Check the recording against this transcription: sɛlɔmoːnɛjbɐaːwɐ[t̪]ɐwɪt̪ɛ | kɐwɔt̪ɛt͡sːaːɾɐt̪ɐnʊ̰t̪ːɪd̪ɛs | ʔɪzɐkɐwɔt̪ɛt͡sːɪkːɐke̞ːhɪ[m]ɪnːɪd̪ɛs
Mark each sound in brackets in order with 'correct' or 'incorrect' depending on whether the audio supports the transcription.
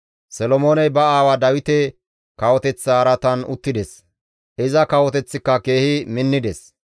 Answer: incorrect: d̪, correct

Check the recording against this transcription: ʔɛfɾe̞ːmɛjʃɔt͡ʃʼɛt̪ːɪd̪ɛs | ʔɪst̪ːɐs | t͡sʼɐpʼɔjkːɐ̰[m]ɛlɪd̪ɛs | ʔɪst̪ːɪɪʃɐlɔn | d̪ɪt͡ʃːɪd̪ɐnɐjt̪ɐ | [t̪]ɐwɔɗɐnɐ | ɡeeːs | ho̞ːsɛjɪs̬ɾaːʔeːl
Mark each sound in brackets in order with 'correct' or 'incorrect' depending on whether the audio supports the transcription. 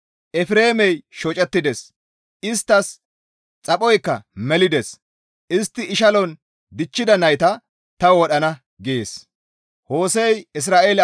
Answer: correct, correct

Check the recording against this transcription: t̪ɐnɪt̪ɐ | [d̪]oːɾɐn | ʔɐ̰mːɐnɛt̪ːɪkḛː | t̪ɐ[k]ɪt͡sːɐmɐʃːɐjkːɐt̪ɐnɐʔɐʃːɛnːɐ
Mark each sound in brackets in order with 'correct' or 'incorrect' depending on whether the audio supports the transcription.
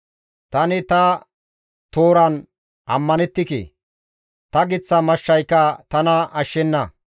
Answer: incorrect: t̪, incorrect: ɡ

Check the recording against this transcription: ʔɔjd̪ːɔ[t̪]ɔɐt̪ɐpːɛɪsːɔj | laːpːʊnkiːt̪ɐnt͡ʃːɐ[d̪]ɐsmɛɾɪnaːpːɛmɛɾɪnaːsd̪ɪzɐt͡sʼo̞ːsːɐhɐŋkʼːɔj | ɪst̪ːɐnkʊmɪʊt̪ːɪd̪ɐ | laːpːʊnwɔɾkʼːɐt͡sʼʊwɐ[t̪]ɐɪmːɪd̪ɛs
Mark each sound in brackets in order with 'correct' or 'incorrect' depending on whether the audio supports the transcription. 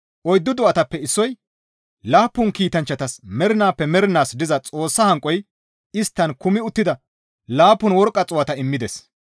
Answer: incorrect: d̪, incorrect: t̪, correct

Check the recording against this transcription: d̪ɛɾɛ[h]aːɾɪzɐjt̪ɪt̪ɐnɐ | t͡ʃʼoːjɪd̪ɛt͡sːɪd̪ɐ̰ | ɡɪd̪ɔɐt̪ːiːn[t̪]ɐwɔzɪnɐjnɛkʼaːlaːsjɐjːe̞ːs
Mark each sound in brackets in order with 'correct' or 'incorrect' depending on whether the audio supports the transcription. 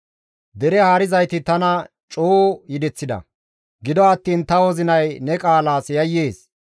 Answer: correct, correct

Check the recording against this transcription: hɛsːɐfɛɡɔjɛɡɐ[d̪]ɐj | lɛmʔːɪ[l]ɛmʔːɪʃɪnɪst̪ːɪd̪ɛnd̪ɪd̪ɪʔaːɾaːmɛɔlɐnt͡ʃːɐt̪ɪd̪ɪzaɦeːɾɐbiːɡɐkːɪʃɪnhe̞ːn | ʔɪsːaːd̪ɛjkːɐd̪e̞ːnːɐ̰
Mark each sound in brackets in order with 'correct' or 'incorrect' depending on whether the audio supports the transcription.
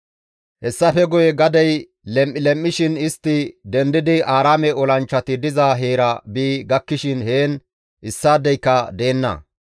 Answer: correct, correct

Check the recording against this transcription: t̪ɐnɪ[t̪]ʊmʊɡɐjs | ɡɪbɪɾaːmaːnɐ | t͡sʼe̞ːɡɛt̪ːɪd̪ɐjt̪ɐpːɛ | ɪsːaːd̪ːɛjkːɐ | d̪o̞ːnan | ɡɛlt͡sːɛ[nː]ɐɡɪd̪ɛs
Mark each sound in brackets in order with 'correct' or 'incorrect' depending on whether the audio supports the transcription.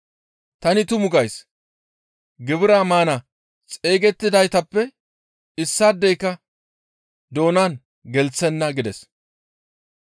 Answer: correct, correct

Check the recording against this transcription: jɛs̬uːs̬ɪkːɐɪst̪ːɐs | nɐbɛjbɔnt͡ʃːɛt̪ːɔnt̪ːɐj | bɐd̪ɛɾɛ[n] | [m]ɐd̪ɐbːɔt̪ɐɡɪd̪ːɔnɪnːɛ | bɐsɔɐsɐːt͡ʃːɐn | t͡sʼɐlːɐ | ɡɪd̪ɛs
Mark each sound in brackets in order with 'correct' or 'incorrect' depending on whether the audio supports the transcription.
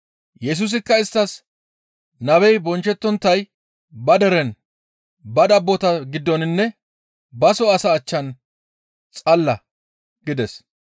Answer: correct, incorrect: b

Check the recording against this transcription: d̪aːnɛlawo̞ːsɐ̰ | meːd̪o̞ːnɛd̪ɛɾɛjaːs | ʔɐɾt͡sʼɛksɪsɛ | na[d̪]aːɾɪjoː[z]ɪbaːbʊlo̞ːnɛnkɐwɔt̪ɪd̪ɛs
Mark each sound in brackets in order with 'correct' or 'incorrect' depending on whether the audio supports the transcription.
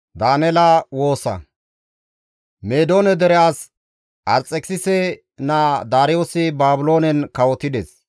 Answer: correct, incorrect: s

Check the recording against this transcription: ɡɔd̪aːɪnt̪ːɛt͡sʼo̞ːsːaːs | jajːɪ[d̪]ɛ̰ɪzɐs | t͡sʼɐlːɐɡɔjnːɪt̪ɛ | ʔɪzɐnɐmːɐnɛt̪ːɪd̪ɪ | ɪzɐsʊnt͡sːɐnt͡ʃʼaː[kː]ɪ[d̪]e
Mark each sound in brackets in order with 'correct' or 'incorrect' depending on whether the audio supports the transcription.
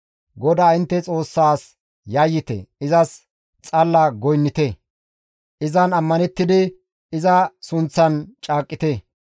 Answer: incorrect: t̪, incorrect: kʼː, incorrect: t̪

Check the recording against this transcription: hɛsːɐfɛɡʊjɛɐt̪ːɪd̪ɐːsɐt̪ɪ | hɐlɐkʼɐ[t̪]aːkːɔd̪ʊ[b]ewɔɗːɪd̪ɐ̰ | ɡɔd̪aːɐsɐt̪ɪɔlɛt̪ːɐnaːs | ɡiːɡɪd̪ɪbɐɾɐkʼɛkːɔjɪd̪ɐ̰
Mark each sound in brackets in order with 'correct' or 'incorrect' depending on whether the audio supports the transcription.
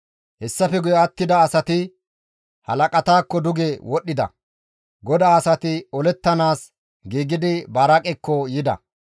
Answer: correct, incorrect: ɡ

